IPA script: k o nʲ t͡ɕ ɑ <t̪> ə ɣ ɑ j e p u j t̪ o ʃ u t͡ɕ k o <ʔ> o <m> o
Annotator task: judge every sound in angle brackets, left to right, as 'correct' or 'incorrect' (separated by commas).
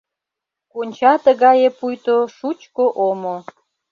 correct, correct, correct